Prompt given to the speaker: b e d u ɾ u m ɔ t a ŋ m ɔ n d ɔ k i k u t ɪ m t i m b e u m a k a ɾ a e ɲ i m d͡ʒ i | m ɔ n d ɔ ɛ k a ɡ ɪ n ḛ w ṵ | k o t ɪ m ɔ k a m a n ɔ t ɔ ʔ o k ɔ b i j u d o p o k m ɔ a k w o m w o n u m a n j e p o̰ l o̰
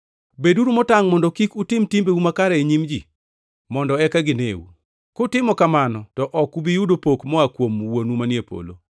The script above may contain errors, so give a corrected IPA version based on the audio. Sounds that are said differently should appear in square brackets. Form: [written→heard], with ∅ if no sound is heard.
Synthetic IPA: b e d u ɾ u m ɔ t a ŋ m ɔ n d ɔ k i k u t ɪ m t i m b e u m a k a ɾ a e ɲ i m d͡ʒ i | m ɔ n d ɔ ɛ k a ɡ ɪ n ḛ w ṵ | k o t ɪ m ɔ k a m a n ɔ t ɔ ʔ [o→ɔ] k [ɔ→u] b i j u d o p o k m ɔ a k w o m w o n u m a n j e p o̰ l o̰